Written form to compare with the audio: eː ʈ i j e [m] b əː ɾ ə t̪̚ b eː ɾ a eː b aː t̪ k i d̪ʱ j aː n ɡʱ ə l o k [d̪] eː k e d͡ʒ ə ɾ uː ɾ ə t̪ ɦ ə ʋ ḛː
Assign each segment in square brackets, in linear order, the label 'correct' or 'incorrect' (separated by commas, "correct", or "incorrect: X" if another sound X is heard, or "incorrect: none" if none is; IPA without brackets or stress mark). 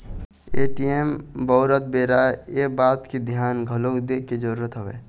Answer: correct, correct